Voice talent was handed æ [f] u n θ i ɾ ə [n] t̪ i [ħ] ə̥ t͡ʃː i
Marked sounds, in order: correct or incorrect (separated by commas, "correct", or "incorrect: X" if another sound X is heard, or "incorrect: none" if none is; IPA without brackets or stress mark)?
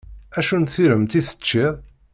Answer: incorrect: ʃ, incorrect: m, incorrect: θ